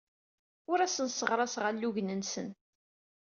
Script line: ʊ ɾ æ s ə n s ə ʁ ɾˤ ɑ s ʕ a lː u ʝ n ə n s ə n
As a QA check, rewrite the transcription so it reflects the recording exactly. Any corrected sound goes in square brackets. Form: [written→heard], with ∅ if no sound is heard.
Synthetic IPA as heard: ʊ ɾ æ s ə n s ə ʁ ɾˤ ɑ s [ʕ→ʁ] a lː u ʝ n ə n s ə n